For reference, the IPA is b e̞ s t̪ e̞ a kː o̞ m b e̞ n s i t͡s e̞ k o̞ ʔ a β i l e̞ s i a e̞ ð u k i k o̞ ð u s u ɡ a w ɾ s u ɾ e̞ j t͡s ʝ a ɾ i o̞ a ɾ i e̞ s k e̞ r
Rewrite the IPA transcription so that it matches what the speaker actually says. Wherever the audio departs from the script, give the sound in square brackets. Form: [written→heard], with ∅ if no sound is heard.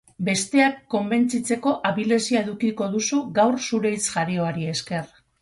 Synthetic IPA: b e̞ s t̪ e̞ a kː o̞ m b e̞ n [s→t͡s] i t͡s e̞ k o̞ ʔ a β i l e̞ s i a e̞ ð u k i k o̞ ð u s u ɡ a w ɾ s u ɾ e̞ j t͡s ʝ a ɾ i o̞ a ɾ i e̞ s k e̞ r